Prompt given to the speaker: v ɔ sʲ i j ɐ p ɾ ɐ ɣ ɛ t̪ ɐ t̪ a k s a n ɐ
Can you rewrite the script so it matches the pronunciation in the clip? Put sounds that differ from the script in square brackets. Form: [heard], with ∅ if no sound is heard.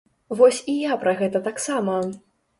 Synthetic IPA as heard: v ɔ sʲ i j [a] p ɾ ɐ ɣ ɛ t̪ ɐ t̪ a k s a [m] ɐ